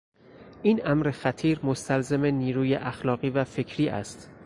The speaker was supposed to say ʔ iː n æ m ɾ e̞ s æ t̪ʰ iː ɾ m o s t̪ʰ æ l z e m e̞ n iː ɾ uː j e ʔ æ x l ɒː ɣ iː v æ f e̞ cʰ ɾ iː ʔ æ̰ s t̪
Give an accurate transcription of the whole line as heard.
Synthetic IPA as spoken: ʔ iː n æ m ɾ e̞ x æ t̪ʰ iː ɾ m o s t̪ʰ æ l z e m e̞ n iː ɾ uː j e ʔ æ x l ɒː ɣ iː v æ f e̞ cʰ ɾ iː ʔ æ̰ s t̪

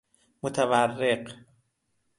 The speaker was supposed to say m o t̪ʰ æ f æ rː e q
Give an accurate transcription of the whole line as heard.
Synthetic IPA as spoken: m o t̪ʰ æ v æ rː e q

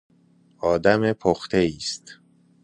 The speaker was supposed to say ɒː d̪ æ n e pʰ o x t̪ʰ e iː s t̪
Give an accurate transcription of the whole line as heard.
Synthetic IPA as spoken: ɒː d̪ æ m e pʰ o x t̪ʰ e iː s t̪

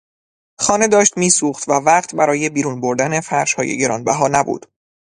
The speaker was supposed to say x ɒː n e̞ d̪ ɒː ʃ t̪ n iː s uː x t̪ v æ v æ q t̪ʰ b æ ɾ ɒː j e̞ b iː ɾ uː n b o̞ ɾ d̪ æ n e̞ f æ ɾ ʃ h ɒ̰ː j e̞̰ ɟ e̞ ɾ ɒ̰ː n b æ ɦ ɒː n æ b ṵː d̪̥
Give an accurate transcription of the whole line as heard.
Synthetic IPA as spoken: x ɒː n e̞ d̪ ɒː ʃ t̪ m iː s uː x t̪ v æ v æ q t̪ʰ b æ ɾ ɒː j e̞ b iː ɾ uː n b o̞ ɾ d̪ æ n e̞ f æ ɾ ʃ h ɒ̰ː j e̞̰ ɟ e̞ ɾ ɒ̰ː n b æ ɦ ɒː n æ b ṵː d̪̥

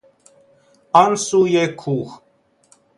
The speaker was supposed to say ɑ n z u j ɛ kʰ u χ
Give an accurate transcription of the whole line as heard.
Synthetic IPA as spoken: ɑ n s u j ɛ kʰ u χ

